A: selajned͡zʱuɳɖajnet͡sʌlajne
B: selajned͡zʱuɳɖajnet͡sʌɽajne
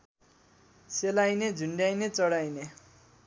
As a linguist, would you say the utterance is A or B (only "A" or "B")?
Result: B